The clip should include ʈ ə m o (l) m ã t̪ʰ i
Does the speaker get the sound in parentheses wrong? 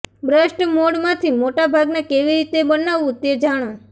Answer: yes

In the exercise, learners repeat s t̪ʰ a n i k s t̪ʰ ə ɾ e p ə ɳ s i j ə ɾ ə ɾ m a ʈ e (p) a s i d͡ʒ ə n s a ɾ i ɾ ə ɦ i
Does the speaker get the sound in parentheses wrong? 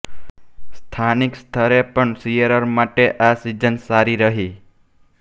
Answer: yes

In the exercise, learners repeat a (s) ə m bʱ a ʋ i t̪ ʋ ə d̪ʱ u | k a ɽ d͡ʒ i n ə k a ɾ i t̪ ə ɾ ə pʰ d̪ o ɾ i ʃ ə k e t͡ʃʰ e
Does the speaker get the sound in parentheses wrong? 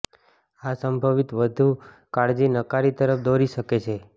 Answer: no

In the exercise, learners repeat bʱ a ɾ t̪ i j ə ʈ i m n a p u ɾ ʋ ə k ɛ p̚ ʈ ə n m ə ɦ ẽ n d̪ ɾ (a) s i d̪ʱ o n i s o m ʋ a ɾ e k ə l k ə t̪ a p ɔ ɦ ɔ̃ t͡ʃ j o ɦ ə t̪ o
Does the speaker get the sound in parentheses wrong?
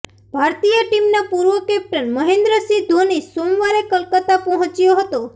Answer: yes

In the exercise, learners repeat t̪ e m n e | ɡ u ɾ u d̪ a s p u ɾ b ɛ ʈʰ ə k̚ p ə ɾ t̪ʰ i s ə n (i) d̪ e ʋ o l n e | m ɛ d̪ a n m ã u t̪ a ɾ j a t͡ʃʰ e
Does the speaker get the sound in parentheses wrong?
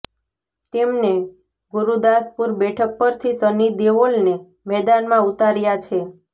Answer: no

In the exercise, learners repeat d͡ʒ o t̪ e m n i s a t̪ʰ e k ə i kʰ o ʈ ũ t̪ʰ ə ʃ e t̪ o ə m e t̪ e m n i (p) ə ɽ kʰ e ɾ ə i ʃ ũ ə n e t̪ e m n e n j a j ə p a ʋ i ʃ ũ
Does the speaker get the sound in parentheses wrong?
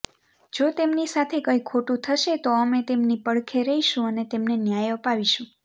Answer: no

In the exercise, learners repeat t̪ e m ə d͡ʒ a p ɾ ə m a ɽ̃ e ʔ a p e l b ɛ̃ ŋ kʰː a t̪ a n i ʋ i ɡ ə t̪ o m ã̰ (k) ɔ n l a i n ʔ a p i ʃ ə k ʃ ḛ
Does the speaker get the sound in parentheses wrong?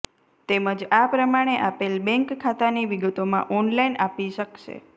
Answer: yes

